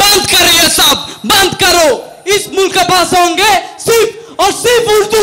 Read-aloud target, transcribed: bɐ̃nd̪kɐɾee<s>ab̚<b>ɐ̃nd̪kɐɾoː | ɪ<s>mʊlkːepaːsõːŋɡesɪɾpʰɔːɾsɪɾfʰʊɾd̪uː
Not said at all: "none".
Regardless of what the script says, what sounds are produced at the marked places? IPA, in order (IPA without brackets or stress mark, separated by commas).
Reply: s, b, s